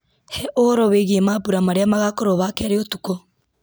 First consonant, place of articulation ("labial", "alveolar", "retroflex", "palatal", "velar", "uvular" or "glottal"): glottal